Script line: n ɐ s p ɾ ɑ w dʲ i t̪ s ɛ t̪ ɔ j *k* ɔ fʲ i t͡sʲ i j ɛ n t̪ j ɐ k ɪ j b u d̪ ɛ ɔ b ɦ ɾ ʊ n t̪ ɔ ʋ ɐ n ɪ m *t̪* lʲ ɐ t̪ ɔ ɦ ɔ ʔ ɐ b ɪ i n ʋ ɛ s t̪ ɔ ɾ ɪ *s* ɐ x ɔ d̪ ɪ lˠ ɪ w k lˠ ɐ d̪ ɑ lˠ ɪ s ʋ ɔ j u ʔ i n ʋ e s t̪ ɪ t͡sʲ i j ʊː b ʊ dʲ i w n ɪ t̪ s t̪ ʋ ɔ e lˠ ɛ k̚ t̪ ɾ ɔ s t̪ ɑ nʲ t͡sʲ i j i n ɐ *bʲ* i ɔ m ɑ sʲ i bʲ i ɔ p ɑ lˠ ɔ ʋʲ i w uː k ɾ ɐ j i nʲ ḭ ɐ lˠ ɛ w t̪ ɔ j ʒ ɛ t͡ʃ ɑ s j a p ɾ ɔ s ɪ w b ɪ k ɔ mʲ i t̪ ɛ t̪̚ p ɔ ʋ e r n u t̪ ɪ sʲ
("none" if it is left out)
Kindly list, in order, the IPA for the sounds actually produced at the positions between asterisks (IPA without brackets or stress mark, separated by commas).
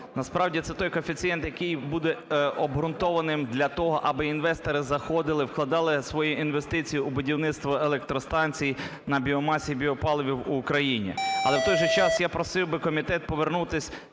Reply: k, d̪, z, bʲ